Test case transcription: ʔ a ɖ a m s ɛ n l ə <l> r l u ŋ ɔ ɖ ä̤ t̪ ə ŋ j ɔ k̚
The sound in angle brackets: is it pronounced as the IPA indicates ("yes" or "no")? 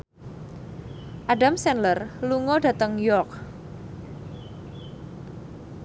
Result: no